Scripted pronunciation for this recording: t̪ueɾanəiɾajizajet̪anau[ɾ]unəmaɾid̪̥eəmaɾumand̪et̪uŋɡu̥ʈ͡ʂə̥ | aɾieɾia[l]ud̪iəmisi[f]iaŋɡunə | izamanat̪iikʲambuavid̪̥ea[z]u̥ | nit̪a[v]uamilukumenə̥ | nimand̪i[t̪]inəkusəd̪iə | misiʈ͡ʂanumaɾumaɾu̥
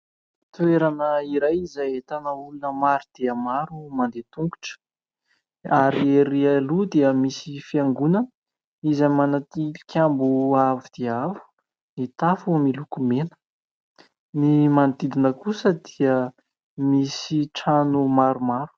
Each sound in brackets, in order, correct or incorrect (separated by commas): incorrect, correct, correct, incorrect, incorrect, incorrect